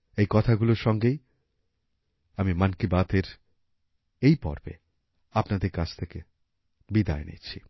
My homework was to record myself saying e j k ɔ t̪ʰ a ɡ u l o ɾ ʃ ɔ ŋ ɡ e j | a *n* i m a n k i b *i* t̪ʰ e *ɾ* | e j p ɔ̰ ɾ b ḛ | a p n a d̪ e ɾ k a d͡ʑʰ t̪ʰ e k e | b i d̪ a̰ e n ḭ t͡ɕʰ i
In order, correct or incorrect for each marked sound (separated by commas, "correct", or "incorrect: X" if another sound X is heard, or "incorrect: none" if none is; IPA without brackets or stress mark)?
incorrect: m, incorrect: a, correct